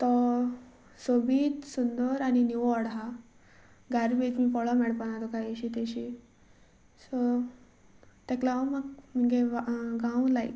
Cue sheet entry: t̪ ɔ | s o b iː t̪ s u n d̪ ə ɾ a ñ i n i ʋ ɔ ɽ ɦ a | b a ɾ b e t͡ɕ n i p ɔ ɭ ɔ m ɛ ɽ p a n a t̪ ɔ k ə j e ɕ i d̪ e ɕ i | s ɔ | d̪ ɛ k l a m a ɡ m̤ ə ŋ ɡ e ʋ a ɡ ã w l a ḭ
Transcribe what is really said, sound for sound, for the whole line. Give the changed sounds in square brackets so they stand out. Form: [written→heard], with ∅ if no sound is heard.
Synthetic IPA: t̪ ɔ | s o b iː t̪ s u n d̪ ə ɾ a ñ i n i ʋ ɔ ɽ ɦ a | [b→ɡ] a ɾ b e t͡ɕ [n→m] i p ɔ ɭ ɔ m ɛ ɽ p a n a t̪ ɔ k [ə→a] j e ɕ i [d̪→t̪] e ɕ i | s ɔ | [d̪→t̪] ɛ k l a m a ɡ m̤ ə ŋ ɡ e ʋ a ɡ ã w l a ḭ